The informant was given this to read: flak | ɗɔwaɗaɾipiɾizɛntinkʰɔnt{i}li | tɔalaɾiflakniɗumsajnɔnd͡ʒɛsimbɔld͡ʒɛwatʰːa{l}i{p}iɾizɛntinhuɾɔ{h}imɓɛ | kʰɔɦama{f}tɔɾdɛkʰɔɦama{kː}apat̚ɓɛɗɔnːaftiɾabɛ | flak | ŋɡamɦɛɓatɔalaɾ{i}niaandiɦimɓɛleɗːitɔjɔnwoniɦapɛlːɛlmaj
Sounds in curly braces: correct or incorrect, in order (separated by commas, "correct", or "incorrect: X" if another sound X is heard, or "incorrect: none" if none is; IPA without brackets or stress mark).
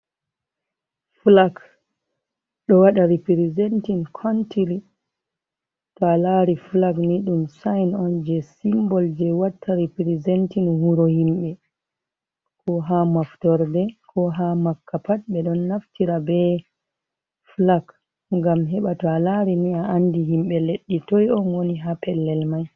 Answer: correct, incorrect: ɾ, correct, correct, correct, correct, correct